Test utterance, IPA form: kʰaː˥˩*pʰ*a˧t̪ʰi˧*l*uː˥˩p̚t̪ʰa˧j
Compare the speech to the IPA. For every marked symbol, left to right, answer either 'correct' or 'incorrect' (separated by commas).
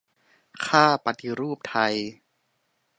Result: incorrect, incorrect